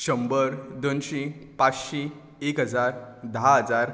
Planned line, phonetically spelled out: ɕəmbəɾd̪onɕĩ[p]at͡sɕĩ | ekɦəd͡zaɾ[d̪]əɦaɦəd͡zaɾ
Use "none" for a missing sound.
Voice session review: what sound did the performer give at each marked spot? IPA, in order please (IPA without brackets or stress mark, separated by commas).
p, d̪